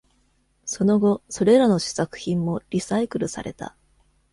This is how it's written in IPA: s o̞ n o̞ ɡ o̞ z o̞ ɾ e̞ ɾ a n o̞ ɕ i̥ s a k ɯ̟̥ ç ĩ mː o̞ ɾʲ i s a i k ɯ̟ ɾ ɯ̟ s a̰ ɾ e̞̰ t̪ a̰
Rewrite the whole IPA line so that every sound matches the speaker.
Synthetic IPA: s o̞ n o̞ ɡ o̞ s o̞ ɾ e̞ ɾ a n o̞ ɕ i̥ s a k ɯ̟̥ ç ĩ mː o̞ ɾʲ i s a i k ɯ̟ ɾ ɯ̟ s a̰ ɾ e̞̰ t̪ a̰